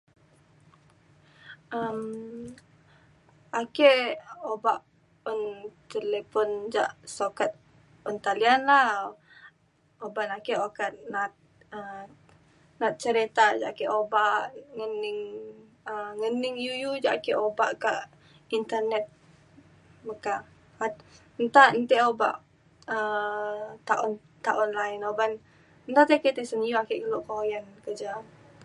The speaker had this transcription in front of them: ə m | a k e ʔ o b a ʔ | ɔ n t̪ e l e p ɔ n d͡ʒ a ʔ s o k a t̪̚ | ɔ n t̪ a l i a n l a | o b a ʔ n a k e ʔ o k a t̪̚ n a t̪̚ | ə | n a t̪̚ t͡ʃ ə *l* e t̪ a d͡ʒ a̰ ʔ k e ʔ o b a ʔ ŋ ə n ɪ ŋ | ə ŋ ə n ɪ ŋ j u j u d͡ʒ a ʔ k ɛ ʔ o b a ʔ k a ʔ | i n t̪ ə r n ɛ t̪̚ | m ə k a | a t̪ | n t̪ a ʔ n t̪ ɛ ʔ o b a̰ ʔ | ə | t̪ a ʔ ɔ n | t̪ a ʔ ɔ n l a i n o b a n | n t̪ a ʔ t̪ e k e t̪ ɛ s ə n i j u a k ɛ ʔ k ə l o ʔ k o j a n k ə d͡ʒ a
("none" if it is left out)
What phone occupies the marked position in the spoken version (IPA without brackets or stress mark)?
ɾ